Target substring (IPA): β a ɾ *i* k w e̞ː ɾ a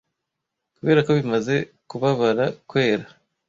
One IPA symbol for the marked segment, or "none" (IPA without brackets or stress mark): a